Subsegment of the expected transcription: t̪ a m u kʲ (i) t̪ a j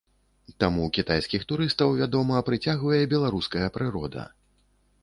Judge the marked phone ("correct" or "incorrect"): correct